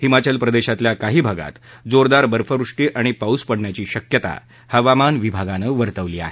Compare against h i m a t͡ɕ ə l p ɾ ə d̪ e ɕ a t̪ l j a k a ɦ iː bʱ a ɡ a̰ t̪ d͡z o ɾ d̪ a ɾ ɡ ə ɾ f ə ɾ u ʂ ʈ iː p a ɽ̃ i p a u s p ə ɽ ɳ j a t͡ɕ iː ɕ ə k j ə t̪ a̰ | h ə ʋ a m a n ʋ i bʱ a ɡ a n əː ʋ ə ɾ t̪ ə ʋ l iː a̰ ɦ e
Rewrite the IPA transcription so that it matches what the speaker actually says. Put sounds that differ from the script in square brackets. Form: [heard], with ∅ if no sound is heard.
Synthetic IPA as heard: h i m a t͡ɕ ə l p ɾ ə d̪ e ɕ a t̪ l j a k a ɦ iː bʱ a ɡ a̰ t̪ d͡z o ɾ d̪ a ɾ [b] ə ɾ f ə ɾ u ʂ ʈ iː [ʔ] a ɽ̃ i p a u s p ə ɽ ɳ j a t͡ɕ iː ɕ ə k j ə t̪ a̰ | h ə ʋ a m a n ʋ i bʱ a ɡ a n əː ʋ ə ɾ t̪ ə ʋ l iː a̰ ɦ e